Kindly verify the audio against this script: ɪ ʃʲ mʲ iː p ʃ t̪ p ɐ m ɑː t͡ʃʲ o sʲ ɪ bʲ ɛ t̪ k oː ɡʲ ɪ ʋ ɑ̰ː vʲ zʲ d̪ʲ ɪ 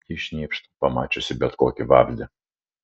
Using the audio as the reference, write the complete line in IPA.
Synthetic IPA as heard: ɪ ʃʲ nʲ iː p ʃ t̪ p ɐ m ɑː t͡ʃʲ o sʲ ɪ bʲ ɛ t̪ k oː kʲ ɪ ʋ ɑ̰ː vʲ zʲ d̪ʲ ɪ

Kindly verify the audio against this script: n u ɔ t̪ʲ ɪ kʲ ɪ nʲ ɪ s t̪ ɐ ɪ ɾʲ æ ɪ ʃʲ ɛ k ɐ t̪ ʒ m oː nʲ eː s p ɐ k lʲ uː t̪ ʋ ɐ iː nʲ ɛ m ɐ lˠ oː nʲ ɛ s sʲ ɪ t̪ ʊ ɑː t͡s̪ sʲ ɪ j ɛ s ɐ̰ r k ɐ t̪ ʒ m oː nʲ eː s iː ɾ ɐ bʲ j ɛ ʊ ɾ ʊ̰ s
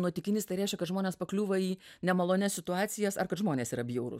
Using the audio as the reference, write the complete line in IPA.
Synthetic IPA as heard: n u ɔ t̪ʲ ɪ kʲ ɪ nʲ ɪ s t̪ ɐ ɪ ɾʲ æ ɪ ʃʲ ɛ k ɐ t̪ ʒ m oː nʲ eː s p ɐ k lʲ uː ʋ ɐ iː nʲ ɛ m ɐ lˠ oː nʲ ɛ s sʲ ɪ t̪ ʊ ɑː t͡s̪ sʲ ɪ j ɛ s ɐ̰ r k ɐ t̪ ʒ m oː nʲ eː s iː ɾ ɐ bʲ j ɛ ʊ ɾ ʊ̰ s

